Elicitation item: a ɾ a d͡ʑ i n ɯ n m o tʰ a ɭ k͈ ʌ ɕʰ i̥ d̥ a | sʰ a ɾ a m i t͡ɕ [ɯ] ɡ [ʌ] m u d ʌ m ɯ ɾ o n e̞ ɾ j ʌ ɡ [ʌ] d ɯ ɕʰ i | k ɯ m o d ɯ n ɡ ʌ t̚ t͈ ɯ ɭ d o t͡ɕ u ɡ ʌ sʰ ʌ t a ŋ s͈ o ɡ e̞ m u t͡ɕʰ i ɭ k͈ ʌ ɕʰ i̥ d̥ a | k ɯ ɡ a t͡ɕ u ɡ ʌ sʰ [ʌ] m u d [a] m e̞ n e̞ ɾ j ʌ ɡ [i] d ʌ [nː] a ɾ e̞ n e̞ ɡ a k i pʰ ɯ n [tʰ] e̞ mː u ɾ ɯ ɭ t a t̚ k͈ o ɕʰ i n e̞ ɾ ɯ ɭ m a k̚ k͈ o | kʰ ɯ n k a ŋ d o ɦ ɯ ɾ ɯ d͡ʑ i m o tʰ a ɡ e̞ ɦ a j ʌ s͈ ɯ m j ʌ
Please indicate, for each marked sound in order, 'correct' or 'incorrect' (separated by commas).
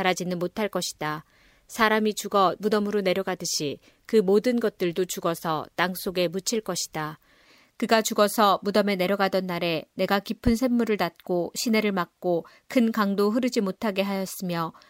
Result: incorrect, correct, incorrect, correct, incorrect, incorrect, correct, incorrect